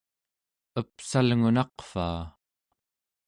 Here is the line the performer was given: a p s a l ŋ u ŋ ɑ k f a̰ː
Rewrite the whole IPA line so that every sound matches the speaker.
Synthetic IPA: ə p s a l ŋ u n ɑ q f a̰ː